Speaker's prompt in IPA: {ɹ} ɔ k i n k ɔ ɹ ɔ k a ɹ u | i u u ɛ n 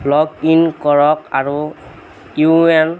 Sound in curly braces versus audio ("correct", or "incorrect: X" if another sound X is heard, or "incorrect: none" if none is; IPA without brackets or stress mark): incorrect: l